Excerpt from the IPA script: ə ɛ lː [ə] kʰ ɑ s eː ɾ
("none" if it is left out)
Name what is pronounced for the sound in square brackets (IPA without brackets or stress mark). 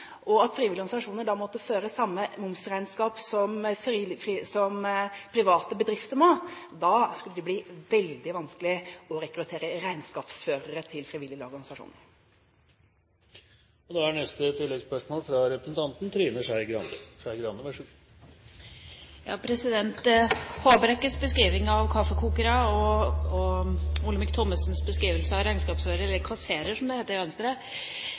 ə